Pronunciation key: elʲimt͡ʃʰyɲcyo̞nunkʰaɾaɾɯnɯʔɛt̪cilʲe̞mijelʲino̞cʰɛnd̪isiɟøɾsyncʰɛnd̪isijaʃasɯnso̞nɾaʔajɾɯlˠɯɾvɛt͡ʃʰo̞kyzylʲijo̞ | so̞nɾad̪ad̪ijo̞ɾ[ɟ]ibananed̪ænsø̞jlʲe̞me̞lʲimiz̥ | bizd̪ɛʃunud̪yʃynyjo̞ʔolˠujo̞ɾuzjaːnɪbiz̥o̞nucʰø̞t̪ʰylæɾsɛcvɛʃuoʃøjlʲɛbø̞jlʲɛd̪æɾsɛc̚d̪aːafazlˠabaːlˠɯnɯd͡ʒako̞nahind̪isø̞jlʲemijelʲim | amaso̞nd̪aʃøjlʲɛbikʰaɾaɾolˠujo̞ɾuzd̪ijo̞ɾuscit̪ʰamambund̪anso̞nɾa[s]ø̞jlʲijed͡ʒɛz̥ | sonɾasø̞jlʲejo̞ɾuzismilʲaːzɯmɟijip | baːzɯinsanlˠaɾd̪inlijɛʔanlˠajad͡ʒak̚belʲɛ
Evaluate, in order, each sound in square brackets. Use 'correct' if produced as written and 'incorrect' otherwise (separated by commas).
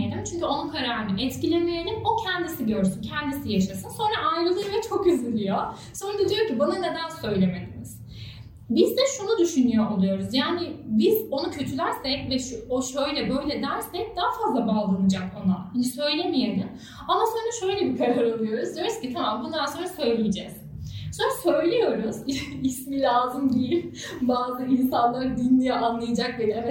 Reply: incorrect, correct